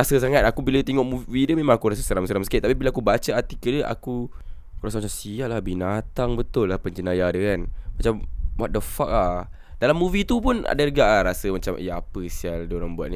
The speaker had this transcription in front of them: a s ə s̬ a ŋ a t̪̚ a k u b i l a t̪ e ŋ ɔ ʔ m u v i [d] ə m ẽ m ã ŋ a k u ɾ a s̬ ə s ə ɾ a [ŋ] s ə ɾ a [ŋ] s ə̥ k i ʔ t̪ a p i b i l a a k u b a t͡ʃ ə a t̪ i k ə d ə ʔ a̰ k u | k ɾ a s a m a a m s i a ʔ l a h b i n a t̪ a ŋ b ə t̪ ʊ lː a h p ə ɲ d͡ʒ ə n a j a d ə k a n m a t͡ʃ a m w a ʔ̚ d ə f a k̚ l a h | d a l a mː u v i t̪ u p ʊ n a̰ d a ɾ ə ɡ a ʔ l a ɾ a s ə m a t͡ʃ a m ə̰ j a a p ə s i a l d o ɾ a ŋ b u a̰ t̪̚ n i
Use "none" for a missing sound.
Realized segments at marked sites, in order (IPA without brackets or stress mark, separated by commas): d, m, m